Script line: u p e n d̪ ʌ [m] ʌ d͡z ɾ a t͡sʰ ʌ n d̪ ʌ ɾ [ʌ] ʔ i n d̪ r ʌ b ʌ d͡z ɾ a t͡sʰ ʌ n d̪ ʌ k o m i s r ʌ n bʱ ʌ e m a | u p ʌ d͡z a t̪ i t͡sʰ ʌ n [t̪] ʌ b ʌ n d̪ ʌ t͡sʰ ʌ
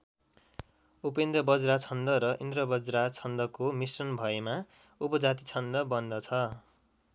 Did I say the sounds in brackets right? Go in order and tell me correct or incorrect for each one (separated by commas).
incorrect, correct, incorrect